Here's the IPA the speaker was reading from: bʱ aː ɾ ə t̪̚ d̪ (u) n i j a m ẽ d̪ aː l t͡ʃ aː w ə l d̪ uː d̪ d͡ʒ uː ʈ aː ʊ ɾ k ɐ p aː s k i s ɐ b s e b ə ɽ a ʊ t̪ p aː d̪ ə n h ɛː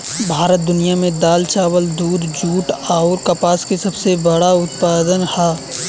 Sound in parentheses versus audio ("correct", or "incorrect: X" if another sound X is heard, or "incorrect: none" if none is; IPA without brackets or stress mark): incorrect: ʊ